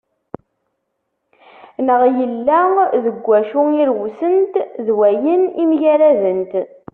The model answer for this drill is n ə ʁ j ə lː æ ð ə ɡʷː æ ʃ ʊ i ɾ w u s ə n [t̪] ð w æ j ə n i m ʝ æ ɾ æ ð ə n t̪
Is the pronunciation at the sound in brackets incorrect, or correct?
correct